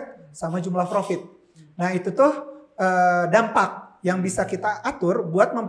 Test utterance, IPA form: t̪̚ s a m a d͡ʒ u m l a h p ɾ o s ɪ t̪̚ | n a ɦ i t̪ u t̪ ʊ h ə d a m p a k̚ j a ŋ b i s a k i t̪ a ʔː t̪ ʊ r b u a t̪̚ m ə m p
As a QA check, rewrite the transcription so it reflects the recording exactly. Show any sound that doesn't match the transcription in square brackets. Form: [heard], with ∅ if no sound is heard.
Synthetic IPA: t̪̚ s a m a d͡ʒ u m l a h p ɾ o [f] ɪ t̪̚ | n a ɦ i t̪ u t̪ ʊ h ə d a m p a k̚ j a ŋ b i s a k i t̪ a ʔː t̪ ʊ r b u a t̪̚ m ə m p